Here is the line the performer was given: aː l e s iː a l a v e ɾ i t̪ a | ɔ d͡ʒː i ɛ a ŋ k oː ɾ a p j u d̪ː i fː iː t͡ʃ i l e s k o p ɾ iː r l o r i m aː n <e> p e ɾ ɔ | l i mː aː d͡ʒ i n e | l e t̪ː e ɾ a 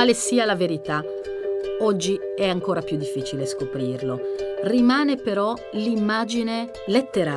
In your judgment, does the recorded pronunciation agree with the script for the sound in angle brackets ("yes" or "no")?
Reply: yes